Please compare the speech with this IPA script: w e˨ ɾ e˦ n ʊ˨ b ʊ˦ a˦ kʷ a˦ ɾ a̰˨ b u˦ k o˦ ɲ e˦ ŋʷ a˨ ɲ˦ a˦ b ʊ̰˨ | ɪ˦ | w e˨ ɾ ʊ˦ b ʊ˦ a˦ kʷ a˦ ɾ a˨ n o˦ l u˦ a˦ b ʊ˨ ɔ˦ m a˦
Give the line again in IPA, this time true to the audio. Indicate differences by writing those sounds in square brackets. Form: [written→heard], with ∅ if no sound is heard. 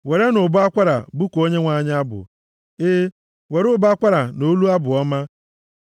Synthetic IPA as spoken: w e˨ ɾ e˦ n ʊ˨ b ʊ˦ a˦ kʷ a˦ ɾ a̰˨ b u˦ k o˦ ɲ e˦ ŋʷ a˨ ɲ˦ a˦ b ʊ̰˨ | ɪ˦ | w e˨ ɾ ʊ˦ b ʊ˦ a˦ kʷ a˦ ɾ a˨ n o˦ l u˦ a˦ b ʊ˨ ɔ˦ m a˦